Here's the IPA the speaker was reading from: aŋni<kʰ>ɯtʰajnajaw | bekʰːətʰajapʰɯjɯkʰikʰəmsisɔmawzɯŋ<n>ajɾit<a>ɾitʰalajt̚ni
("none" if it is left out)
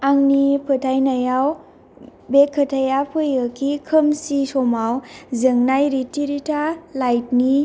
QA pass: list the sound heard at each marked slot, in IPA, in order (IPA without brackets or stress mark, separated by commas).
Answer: pʰ, n, i